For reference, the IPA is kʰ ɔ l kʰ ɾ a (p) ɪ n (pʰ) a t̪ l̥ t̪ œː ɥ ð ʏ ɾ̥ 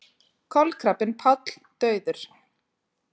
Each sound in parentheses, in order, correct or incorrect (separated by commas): correct, correct